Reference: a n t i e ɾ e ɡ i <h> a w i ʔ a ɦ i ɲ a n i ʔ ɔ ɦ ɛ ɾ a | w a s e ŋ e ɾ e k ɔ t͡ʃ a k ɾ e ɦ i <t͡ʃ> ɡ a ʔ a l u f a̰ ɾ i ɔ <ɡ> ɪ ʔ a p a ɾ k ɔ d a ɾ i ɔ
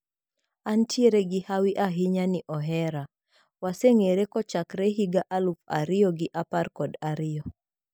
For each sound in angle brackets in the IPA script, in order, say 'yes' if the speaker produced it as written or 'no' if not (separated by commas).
yes, no, yes